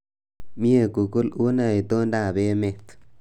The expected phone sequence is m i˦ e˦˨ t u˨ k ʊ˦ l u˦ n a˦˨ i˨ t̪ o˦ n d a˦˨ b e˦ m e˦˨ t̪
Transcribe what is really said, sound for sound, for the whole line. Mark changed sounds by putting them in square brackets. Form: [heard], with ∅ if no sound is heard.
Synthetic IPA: m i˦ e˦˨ [k] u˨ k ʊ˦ l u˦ n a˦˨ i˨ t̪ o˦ n d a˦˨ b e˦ m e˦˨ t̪